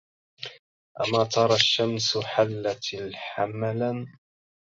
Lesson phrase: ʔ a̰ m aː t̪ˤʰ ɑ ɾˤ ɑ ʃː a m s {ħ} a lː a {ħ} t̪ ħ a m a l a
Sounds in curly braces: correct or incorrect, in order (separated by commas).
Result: correct, incorrect